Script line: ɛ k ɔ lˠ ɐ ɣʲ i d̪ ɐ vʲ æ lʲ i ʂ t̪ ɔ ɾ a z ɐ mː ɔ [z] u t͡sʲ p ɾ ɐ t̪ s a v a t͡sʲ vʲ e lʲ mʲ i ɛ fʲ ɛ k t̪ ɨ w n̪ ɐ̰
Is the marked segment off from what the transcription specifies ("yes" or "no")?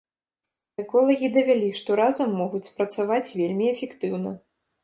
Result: yes